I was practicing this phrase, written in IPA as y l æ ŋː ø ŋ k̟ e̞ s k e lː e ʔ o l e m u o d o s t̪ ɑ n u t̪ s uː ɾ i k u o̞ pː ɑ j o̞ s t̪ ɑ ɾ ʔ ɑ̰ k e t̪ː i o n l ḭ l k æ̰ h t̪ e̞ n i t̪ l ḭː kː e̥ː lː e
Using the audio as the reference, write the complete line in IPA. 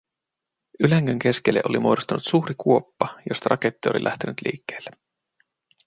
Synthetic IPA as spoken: y l æ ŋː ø ŋ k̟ e̞ s k e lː e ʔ o l i m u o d o s t̪ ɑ n u t̪ s uː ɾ i k u o̞ pː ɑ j o̞ s t̪ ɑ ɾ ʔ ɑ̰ k e t̪ː i o l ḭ l ʔ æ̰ h t̪ e̞ n y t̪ l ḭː kː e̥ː lː e